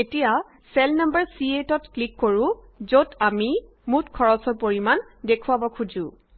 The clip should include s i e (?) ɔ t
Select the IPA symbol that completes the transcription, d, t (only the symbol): t